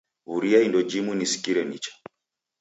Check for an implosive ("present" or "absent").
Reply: absent